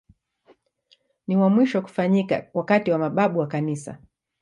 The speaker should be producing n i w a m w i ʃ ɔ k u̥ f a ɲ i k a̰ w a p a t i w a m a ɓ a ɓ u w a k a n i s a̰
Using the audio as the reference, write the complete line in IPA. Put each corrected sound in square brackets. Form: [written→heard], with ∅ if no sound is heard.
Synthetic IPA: n i w a m w i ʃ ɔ k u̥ f a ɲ i k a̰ w a [p→k] a t i w a m a ɓ a ɓ u w a k a n i s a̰